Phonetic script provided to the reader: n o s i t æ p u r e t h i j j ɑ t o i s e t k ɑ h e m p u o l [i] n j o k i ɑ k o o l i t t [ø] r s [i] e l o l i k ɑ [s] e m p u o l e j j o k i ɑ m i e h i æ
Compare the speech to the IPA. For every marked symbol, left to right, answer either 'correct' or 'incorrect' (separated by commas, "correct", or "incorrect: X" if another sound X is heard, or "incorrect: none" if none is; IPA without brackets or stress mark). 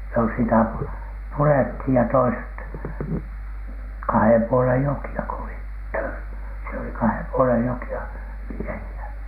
incorrect: e, correct, correct, incorrect: h